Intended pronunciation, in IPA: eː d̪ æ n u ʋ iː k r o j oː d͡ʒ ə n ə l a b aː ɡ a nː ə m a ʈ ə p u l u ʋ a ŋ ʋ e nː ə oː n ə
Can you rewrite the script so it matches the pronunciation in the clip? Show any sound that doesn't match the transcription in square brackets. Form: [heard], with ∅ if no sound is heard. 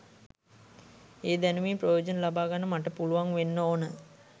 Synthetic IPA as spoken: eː d̪ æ n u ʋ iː [p] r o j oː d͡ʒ ə n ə l a b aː ɡ a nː ə m a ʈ ə p u l u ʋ a ŋ ʋ e nː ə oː n ə

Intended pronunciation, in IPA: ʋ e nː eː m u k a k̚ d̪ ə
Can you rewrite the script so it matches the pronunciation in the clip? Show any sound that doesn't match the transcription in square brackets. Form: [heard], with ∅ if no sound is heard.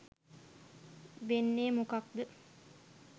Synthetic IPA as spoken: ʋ e nː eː m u k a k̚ d̪ ə

